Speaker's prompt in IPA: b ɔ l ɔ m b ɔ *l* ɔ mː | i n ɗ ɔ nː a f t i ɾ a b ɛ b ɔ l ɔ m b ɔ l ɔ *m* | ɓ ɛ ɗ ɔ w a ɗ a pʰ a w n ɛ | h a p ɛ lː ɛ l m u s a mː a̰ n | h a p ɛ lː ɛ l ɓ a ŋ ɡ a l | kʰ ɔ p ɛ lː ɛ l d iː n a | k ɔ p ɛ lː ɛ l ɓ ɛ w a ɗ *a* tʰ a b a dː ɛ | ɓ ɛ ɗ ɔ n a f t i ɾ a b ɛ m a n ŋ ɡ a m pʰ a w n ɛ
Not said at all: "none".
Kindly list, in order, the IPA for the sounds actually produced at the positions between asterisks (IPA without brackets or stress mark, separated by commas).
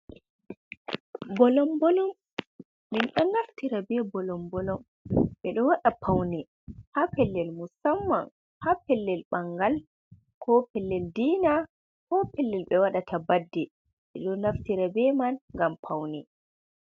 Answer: l, m, a